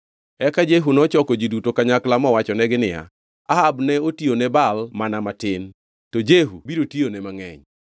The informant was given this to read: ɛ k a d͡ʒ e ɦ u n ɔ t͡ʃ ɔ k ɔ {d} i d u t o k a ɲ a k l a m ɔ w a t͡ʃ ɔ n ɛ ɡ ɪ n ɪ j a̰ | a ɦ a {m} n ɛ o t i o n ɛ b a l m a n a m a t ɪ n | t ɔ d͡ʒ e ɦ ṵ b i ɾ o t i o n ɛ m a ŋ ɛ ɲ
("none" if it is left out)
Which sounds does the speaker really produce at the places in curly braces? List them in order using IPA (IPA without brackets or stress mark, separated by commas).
d͡ʒ, b